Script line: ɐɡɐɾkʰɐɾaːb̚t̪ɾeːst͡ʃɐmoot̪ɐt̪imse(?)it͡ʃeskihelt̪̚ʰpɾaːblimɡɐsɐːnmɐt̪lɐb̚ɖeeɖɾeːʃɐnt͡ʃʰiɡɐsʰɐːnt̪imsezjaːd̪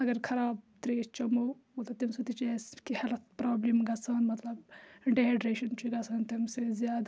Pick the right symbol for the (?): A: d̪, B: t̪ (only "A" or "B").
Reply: B